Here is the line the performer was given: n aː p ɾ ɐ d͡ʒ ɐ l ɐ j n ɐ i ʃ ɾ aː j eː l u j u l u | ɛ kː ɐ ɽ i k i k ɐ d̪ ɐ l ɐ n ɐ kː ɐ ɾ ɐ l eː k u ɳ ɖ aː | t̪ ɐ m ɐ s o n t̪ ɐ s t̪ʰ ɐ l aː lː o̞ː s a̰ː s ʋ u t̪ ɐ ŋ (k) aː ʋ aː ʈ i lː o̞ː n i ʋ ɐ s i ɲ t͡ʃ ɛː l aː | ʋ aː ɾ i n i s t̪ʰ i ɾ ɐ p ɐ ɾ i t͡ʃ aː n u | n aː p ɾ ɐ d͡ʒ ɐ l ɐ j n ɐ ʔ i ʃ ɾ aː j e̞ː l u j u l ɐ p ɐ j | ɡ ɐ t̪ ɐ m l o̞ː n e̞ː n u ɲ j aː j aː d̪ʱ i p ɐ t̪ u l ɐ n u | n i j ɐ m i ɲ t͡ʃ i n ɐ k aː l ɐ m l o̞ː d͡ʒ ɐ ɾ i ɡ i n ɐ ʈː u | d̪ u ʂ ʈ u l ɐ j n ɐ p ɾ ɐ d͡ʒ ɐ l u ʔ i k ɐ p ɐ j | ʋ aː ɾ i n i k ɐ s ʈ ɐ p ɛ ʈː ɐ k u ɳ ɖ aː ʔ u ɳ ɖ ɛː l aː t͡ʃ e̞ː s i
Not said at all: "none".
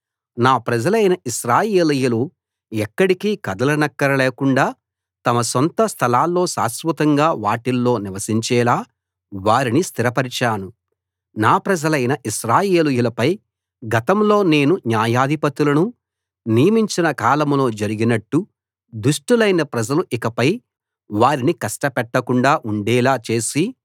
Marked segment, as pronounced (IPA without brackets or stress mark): ɡ